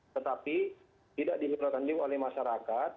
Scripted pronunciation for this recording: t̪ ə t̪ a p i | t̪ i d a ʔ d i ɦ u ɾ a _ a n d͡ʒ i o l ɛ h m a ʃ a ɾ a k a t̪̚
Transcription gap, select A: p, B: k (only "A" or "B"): B